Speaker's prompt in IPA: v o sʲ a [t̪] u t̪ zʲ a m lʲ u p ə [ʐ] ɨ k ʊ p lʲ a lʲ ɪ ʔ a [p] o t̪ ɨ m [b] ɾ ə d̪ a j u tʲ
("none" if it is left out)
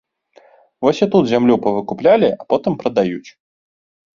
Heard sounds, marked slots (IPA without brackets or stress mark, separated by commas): t̪, v, p, p